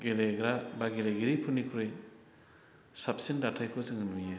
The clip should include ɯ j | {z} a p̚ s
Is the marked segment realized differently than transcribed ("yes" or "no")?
yes